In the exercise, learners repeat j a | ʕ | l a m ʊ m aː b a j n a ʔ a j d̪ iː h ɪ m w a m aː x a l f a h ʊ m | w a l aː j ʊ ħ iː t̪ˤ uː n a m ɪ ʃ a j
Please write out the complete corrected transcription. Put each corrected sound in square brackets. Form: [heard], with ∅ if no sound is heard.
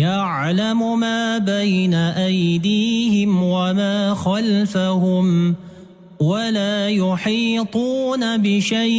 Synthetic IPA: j a | ʕ | l a m ʊ m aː b a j n a ʔ a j d̪ iː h ɪ m w a m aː x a l f a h ʊ m | w a l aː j ʊ ħ iː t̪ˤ uː n a [b] ɪ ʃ a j